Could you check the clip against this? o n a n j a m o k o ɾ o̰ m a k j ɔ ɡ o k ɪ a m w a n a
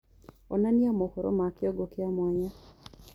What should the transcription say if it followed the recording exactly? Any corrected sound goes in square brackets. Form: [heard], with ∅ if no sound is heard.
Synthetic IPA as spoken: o n a n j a m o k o ɾ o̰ m a k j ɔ ɡ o k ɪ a m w a [ɲ] a